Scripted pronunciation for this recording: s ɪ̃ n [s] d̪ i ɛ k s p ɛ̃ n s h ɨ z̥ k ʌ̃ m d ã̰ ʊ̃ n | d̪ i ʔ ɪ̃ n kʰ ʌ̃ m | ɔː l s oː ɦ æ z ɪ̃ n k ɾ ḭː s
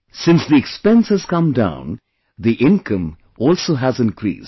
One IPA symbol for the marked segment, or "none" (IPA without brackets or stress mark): s